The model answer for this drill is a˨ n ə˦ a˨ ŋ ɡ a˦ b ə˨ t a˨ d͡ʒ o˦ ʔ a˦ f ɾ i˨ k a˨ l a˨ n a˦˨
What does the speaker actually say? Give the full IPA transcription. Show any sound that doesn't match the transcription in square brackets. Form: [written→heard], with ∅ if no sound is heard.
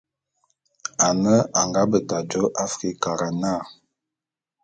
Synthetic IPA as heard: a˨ n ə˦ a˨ ŋ ɡ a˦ b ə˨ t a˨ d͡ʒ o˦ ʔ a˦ f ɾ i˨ k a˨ [l→ɾ] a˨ n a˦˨